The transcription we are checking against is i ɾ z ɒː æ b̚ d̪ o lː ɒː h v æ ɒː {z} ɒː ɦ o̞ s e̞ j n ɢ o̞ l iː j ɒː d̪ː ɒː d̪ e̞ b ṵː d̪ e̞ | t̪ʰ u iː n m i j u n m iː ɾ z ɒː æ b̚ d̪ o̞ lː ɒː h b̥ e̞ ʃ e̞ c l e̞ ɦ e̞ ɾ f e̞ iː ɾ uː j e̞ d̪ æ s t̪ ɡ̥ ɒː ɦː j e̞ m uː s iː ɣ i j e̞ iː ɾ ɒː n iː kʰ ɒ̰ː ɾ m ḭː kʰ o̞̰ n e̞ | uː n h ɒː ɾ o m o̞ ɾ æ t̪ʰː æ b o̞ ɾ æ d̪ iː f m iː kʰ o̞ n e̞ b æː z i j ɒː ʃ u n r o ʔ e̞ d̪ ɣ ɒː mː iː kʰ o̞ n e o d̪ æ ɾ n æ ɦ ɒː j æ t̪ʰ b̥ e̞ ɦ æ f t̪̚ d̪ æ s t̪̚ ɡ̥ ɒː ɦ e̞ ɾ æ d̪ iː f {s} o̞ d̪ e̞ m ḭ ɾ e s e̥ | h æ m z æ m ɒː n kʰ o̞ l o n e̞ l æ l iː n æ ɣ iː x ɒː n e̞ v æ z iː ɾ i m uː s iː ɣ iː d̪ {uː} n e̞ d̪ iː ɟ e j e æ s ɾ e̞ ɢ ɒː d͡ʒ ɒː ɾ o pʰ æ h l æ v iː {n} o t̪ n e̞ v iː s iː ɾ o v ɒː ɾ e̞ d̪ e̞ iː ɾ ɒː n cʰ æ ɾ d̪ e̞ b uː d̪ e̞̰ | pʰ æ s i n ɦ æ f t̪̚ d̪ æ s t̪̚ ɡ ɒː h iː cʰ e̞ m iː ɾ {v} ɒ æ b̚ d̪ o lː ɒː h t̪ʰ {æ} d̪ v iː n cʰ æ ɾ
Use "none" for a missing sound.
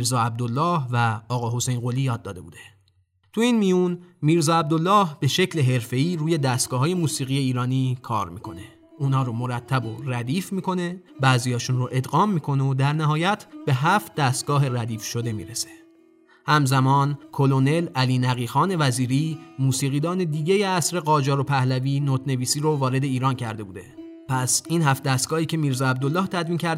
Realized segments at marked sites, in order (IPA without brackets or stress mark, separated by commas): ɣ, ʃ, ɒː, n, z, æ